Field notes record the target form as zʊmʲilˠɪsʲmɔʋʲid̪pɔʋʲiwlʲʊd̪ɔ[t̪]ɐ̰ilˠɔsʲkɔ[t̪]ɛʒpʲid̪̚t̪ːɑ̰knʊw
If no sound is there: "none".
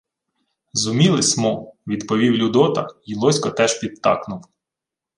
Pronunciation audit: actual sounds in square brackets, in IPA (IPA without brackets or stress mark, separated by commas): t̪, t̪